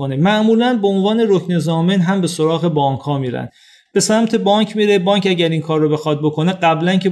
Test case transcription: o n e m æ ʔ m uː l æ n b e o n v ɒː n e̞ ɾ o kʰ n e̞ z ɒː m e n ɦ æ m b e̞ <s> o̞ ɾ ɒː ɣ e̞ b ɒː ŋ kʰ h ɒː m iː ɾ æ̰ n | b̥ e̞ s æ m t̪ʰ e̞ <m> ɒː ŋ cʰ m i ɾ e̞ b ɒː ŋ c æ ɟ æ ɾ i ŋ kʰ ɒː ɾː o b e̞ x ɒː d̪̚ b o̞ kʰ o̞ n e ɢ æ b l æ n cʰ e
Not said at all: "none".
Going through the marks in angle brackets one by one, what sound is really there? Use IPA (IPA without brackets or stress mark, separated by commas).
s, b